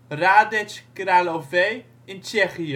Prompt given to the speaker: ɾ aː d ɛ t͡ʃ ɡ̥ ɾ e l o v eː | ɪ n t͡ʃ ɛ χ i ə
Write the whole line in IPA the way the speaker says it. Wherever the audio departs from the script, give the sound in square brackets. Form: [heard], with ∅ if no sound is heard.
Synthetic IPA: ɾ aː d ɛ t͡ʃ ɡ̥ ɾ [a] l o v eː | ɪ n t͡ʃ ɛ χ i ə